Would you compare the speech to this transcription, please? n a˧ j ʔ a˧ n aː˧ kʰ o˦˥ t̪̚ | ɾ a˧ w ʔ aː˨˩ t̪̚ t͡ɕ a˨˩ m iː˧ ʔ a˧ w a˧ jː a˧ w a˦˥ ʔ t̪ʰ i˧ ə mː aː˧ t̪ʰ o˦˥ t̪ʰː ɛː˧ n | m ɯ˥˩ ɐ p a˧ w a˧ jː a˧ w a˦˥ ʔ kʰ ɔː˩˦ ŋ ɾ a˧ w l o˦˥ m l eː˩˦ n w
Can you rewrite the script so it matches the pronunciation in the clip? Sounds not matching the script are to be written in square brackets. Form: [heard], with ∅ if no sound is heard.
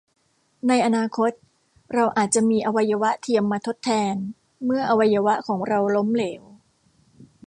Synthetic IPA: n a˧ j ʔ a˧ n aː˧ kʰ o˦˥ t̪̚ | ɾ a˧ w ʔ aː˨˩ t̪̚ t͡ɕ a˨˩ m iː˧ ʔ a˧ w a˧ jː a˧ w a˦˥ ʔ t̪ʰ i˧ ə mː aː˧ t̪ʰ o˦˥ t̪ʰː ɛː˧ n | m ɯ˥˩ ɐ [ʔ] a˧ w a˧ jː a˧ w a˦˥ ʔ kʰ ɔː˩˦ ŋ ɾ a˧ w l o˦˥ m l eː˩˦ [∅] w